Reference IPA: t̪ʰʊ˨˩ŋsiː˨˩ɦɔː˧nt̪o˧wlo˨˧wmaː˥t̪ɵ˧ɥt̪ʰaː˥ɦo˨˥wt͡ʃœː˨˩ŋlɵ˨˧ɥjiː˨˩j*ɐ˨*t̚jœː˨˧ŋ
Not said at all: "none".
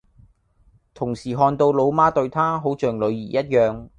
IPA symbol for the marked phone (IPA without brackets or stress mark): ɐ˥